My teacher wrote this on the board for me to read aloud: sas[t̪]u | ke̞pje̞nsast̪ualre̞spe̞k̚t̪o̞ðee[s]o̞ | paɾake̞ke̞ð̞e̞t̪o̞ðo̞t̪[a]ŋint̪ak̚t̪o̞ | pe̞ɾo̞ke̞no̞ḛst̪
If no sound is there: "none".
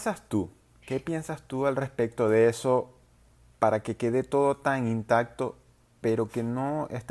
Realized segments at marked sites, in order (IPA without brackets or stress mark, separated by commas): t̪, s, a